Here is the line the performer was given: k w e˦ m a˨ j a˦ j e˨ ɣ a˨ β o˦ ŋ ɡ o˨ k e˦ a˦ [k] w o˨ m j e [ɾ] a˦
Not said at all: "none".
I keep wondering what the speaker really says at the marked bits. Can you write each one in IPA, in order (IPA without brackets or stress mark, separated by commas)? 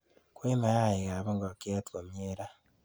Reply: t, ɾ